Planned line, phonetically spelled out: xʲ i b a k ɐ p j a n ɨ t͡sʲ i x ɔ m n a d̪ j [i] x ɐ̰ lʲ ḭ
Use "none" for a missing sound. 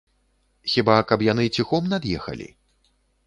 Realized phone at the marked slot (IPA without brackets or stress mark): ɛ